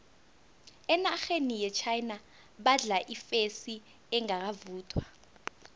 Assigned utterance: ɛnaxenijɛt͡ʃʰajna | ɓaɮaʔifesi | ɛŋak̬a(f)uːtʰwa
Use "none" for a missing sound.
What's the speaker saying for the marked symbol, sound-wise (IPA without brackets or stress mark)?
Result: v